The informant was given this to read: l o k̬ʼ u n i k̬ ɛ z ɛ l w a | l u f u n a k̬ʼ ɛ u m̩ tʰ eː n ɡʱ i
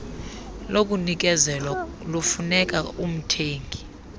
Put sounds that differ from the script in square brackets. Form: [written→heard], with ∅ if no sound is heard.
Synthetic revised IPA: l o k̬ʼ u n i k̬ ɛ z ɛ l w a | l u f u n [a→ɛ] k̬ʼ [ɛ→a] u m̩ tʰ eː [n→ŋ] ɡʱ i